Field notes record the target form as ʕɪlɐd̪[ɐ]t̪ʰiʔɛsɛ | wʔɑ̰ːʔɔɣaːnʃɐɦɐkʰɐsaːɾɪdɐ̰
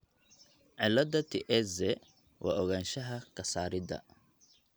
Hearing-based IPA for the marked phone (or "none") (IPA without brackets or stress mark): ɐ